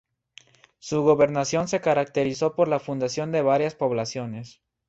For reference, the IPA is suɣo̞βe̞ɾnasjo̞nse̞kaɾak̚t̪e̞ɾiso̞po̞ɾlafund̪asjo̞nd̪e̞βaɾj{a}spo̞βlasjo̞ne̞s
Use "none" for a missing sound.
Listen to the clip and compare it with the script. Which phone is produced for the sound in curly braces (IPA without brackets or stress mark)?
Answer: a